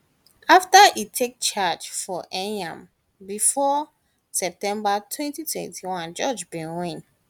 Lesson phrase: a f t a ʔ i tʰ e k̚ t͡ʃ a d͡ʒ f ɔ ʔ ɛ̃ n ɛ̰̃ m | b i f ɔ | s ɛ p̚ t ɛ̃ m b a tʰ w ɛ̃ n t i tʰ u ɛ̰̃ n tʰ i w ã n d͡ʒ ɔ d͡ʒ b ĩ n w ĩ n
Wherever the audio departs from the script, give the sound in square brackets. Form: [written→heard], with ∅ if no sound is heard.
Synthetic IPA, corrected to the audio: a f t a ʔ i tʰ e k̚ t͡ʃ a d͡ʒ f ɔ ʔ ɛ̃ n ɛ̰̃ m | b i f ɔ | s ɛ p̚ t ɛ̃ m b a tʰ w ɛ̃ n t i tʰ [u→w] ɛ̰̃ n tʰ i w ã n d͡ʒ ɔ d͡ʒ b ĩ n w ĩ n